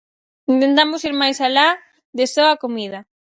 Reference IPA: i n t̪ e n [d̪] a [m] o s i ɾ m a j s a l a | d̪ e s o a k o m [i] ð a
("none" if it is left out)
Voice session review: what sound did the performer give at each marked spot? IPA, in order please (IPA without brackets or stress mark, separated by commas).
t̪, m, i